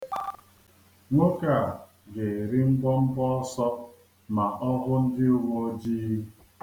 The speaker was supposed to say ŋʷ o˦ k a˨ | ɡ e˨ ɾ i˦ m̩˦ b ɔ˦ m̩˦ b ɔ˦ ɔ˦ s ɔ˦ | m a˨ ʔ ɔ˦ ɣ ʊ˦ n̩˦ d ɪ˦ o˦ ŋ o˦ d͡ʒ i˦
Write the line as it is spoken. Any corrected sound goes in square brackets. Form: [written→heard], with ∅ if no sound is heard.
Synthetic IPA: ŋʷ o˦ k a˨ | ɡ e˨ ɾ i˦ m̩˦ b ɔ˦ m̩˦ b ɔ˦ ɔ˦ s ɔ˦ | m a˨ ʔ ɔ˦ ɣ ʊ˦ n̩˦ d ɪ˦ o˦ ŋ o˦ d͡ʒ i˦